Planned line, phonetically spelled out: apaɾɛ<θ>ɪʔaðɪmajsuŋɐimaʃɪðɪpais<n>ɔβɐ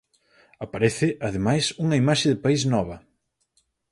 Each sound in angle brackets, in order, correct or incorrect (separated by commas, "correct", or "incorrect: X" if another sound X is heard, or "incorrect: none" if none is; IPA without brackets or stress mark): correct, correct